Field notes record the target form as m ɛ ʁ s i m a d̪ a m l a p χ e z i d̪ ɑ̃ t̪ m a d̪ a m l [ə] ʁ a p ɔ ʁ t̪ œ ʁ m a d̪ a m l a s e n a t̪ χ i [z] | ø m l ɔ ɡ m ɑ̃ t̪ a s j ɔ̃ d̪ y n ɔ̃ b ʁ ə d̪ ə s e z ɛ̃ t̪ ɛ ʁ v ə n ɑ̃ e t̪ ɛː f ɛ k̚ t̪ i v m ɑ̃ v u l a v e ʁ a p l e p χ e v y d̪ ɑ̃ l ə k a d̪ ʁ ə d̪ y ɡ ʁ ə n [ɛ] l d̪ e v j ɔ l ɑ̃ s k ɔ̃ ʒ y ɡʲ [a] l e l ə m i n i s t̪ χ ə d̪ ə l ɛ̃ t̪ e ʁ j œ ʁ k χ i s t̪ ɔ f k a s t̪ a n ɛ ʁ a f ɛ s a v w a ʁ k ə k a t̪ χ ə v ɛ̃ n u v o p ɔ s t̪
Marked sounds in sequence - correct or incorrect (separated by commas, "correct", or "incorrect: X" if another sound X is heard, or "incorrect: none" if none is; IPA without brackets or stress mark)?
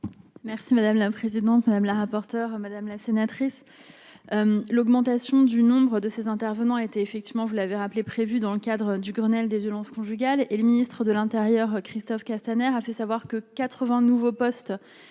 incorrect: a, incorrect: s, correct, correct